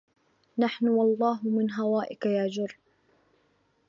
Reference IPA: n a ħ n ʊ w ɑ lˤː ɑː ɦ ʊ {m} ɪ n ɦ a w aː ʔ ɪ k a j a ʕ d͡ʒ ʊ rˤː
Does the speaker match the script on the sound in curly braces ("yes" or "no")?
yes